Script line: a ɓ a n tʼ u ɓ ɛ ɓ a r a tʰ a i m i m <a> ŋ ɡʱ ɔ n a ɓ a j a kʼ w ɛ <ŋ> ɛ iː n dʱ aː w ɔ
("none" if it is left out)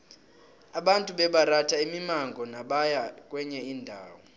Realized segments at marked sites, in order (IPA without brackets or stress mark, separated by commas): a, ɲ